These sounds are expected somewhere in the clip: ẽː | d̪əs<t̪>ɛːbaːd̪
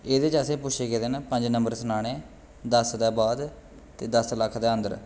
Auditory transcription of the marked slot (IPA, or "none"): d̪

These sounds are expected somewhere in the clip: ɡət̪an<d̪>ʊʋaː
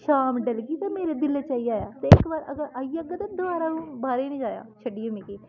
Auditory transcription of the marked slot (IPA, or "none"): d̪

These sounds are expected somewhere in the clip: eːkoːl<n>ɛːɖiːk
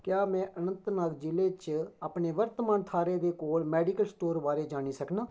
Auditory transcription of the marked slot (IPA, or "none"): m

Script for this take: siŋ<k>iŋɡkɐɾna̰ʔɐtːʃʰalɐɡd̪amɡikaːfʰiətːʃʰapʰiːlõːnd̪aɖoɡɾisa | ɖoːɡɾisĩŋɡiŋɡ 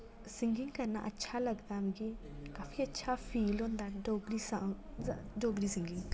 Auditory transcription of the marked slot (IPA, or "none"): ɡ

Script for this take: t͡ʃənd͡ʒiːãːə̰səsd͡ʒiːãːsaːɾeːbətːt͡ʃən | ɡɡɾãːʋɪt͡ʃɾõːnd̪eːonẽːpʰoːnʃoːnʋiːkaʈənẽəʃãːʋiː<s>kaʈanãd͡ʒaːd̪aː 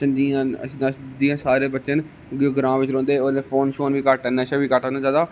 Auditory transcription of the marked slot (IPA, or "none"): none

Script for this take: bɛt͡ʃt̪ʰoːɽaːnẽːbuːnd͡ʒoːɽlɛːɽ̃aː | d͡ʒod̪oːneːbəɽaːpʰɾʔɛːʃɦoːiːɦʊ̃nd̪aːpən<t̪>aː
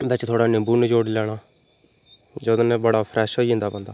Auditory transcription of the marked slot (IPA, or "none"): d̪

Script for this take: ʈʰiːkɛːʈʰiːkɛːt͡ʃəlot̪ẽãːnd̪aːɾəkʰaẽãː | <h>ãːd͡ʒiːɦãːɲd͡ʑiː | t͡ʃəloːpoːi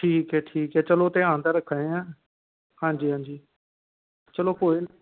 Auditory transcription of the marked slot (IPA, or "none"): h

